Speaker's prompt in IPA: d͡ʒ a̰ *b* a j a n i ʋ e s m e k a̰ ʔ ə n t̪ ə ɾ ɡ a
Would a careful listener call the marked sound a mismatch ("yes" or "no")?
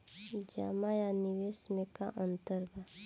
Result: yes